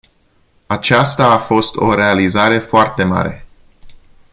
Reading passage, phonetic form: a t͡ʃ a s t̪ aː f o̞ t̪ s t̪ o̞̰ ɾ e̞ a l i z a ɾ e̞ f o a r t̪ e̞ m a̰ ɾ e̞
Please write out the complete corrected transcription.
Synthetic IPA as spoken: a t͡ʃ a s t̪ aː f o̞ s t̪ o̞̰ ɾ e̞ a l i z a ɾ e̞ f o a r t̪ e̞ m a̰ ɾ e̞